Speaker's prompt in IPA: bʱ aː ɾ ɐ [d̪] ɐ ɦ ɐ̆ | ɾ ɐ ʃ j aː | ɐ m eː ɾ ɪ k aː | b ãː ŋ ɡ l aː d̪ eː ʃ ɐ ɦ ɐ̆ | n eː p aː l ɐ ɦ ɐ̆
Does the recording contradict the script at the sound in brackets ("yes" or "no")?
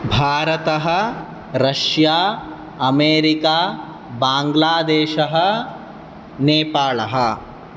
yes